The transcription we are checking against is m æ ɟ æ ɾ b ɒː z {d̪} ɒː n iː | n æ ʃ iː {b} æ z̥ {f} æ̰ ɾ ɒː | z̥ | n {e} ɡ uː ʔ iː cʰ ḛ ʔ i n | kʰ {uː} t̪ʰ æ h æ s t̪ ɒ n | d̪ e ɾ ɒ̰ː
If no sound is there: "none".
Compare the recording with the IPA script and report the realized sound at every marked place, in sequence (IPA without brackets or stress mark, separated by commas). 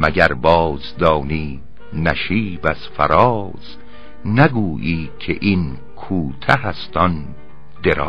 d̪, b, f, æ, uː